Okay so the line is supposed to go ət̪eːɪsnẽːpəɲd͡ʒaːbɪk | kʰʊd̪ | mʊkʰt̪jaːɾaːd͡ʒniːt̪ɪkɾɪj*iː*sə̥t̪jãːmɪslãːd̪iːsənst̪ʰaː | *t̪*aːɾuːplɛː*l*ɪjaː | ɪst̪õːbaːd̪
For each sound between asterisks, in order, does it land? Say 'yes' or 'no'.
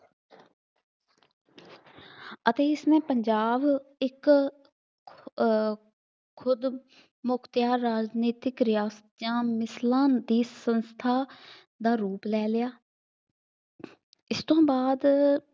no, no, yes

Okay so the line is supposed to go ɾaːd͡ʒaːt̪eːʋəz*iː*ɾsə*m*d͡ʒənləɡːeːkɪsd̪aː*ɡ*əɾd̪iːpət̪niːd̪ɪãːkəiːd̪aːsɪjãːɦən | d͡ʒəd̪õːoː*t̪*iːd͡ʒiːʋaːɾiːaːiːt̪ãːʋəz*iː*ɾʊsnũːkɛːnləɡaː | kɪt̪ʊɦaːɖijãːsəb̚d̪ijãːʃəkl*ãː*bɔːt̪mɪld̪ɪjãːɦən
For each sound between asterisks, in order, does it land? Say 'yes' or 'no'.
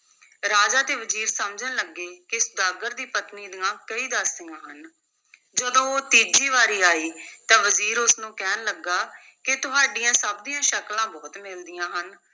yes, yes, yes, yes, yes, yes

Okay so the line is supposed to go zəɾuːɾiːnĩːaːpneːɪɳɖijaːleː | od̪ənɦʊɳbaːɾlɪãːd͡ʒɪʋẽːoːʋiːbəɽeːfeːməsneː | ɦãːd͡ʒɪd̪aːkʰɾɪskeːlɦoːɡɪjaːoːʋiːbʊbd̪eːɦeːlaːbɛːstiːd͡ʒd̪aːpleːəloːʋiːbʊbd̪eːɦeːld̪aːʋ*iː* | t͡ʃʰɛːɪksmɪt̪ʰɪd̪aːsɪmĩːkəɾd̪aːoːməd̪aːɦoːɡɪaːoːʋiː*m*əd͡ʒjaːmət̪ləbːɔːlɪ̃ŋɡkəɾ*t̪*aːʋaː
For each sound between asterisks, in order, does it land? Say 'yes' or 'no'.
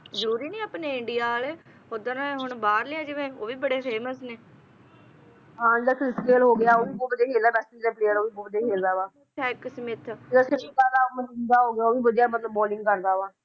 no, no, no

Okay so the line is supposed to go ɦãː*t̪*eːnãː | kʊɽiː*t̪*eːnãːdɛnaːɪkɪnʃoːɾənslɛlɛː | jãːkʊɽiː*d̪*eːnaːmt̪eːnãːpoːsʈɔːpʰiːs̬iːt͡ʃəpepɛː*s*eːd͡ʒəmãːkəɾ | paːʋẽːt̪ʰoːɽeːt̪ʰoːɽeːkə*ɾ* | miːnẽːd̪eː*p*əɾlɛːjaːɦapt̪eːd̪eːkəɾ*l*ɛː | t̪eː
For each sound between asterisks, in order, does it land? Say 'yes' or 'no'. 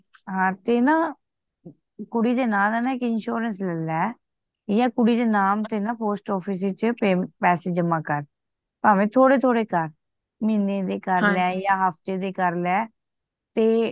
yes, no, yes, yes, yes, no, yes

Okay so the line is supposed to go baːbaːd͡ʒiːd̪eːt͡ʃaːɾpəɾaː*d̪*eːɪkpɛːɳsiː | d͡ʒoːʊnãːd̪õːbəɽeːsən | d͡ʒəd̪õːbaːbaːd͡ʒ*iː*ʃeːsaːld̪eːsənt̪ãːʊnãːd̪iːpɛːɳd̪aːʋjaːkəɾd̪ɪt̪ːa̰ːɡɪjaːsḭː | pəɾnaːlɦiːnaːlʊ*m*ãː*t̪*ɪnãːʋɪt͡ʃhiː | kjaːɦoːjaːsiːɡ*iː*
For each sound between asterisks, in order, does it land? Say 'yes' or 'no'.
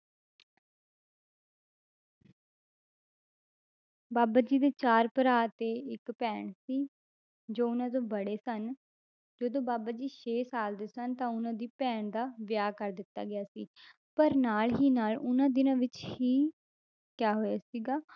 no, yes, no, no, no

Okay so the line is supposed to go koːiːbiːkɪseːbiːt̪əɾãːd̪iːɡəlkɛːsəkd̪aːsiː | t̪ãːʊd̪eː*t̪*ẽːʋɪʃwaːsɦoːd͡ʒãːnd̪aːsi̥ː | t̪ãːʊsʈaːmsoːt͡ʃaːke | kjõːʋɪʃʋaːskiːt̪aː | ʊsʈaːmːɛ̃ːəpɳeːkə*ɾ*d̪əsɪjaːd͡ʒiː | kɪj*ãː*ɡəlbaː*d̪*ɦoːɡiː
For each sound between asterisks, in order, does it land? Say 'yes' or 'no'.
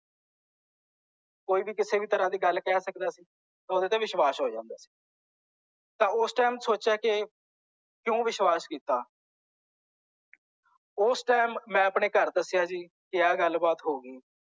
yes, yes, no, no

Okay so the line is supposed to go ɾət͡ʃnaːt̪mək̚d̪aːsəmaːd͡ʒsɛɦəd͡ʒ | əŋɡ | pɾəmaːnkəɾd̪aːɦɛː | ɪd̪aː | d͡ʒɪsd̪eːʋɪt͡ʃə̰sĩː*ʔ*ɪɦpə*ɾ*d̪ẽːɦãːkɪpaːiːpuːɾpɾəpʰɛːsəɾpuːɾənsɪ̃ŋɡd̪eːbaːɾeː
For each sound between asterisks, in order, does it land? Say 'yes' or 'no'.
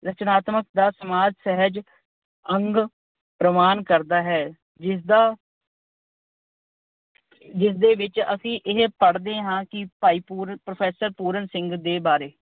yes, no

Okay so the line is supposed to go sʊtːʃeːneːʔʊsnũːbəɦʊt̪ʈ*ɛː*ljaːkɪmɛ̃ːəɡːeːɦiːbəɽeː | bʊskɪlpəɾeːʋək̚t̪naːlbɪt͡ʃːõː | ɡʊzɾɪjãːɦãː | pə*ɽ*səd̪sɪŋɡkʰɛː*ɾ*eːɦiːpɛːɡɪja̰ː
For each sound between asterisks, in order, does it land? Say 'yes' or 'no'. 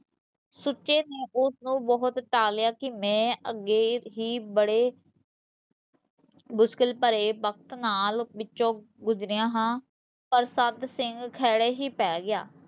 no, no, no

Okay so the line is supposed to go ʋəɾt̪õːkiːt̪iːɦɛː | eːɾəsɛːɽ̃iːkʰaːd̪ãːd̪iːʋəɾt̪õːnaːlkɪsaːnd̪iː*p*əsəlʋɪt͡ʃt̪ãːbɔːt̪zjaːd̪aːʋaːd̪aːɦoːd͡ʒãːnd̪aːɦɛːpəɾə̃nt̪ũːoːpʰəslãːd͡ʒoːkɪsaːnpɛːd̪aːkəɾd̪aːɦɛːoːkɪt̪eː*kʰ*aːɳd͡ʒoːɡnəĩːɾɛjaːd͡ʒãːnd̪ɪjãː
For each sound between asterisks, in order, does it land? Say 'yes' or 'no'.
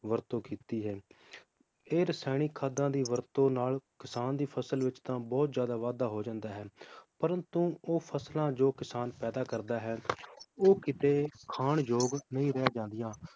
no, yes

